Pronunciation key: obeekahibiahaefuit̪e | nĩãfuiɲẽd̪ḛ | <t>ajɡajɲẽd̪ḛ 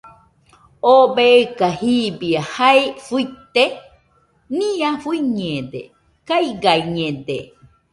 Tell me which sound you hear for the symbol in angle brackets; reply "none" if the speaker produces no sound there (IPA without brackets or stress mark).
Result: k